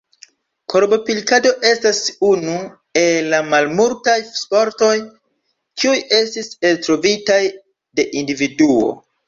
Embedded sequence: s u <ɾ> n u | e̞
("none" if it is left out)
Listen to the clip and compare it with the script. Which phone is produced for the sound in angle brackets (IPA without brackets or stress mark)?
none